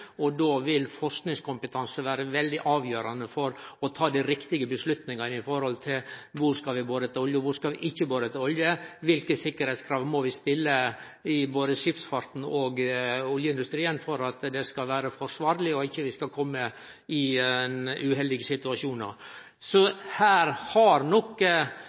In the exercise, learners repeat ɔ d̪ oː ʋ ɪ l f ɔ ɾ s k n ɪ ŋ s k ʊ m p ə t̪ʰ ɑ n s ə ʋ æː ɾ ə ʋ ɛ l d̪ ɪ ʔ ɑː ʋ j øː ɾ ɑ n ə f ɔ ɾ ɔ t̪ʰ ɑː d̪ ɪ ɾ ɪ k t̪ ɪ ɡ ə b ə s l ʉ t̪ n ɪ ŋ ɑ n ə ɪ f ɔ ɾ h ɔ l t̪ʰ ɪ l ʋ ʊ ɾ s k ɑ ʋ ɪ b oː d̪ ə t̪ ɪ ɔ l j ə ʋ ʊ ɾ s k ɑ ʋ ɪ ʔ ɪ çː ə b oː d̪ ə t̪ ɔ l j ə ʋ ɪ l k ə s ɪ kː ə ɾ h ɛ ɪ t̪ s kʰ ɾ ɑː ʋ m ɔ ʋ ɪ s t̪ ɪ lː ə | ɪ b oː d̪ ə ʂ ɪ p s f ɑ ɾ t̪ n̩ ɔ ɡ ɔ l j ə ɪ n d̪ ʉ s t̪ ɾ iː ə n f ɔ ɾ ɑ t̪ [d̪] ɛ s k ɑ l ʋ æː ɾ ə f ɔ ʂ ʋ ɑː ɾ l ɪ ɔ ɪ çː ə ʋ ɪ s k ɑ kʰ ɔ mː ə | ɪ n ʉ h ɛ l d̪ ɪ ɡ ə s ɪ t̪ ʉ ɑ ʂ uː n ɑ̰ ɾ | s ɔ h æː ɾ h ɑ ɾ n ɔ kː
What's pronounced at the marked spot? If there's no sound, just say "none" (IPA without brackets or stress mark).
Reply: d̪